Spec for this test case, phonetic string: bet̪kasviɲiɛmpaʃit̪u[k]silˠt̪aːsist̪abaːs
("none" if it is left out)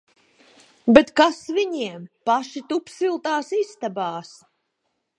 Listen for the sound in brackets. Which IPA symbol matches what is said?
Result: p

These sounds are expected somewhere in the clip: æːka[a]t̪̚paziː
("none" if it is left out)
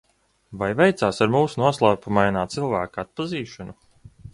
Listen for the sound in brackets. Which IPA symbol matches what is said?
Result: a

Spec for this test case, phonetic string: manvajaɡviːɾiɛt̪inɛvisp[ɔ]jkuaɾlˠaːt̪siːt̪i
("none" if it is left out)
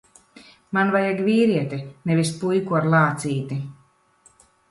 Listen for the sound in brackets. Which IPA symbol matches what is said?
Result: u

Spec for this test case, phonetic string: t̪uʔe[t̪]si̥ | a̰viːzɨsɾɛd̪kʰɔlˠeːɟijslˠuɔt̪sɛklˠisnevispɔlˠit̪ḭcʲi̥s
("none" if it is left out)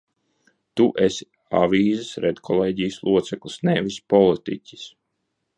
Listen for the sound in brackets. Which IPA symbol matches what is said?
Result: none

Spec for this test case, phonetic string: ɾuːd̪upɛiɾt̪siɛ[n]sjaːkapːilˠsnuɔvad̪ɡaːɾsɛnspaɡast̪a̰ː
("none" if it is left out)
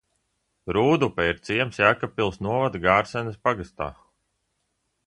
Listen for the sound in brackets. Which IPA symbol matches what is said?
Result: m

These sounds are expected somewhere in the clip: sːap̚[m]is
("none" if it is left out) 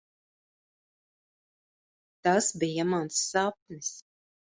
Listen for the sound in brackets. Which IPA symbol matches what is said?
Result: n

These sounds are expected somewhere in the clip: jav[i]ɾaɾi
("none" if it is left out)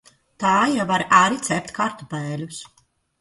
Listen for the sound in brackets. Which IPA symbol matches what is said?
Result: a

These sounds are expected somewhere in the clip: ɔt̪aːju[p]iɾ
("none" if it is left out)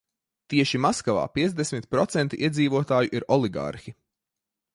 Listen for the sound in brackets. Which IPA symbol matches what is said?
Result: ʔ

